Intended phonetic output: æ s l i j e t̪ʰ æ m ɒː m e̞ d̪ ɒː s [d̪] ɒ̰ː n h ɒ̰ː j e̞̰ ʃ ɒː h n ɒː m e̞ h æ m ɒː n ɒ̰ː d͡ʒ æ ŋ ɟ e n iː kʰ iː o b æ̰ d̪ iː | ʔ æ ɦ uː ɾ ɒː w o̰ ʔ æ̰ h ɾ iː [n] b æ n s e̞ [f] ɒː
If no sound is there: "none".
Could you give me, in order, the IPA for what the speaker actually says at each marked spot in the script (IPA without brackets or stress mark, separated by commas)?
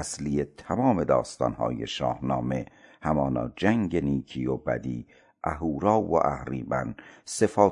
t̪, none, f